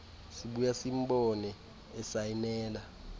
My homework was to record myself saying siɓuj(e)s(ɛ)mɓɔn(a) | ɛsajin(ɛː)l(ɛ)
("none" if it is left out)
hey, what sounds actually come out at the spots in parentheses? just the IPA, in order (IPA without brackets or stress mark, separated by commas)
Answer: a, i, ɛ, ɛː, a